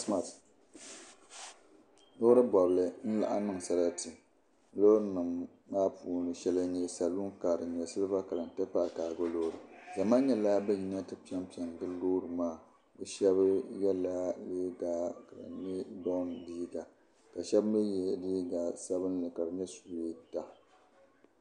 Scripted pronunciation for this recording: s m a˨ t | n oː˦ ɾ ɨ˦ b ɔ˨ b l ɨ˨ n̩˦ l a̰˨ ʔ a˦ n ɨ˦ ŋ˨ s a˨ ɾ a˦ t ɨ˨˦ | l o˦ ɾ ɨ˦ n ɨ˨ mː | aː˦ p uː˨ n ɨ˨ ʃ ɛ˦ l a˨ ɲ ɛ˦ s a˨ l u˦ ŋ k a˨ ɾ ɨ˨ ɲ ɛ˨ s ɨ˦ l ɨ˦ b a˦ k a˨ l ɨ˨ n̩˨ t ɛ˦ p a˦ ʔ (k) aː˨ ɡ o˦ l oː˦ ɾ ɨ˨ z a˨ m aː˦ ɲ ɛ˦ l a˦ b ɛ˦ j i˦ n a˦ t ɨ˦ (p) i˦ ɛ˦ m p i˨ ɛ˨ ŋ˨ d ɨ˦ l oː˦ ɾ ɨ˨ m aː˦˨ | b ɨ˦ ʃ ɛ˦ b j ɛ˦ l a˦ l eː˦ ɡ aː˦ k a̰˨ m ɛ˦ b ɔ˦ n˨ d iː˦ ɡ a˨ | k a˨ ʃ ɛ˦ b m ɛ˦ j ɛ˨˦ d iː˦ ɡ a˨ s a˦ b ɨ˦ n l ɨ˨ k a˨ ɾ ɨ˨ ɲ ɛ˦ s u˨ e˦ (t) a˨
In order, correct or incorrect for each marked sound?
correct, correct, correct

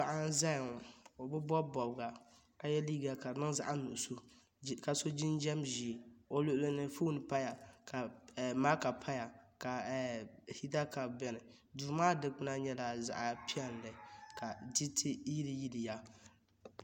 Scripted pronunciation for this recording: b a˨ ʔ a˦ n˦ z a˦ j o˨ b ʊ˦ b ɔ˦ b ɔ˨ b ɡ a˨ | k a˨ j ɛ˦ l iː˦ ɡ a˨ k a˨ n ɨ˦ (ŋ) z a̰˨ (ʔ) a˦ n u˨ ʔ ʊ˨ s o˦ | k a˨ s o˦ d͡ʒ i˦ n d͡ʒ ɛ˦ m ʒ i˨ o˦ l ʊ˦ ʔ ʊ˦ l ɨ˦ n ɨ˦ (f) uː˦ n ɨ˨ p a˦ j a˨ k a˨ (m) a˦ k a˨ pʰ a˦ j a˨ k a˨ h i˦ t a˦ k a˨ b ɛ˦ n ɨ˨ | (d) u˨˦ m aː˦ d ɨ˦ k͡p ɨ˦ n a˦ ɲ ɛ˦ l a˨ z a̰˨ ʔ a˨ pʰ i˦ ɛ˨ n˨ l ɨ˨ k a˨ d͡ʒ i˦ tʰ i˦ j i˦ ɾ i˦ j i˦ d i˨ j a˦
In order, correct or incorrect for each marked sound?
correct, correct, correct, correct, correct

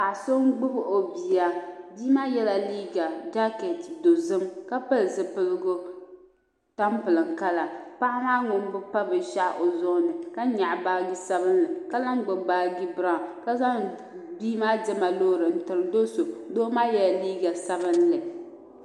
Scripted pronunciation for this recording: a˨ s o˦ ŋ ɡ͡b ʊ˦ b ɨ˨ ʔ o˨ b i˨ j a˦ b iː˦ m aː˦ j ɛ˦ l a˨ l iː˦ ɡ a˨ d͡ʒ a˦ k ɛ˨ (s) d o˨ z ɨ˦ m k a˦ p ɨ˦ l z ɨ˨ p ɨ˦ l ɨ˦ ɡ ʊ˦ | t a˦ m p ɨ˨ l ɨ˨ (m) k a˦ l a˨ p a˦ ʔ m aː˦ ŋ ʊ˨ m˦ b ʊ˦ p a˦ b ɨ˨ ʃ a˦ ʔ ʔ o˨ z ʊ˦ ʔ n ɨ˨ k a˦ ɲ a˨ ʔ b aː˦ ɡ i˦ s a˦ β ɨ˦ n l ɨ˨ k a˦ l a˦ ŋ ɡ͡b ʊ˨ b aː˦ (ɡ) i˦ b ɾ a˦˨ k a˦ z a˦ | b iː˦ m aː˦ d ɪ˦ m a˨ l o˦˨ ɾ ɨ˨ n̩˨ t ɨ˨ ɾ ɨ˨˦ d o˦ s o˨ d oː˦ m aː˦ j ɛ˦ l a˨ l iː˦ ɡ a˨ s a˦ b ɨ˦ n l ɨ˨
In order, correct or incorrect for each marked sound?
incorrect: t, incorrect: ŋ, correct

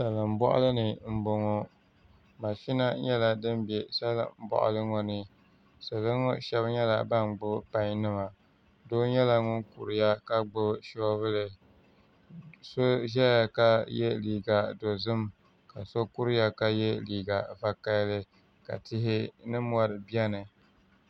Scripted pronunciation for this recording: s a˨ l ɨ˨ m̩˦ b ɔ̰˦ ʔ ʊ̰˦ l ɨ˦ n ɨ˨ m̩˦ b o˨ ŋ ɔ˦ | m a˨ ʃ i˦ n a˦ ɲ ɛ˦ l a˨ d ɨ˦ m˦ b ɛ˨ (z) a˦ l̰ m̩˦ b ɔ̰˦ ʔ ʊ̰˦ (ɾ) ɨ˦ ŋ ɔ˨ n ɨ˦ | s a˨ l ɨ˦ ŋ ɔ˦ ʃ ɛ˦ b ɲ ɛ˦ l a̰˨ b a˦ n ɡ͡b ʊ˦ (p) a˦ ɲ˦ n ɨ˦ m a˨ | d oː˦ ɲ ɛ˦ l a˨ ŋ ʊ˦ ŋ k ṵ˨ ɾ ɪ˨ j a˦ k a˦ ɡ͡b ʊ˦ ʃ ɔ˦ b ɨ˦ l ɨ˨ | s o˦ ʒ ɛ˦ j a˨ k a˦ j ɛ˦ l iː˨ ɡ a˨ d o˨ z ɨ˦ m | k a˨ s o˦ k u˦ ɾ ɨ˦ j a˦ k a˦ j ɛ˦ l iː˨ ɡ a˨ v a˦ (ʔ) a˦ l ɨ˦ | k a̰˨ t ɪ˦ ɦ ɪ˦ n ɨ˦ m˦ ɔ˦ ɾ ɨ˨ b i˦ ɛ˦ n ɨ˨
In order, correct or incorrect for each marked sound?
incorrect: s, incorrect: l, correct, incorrect: k

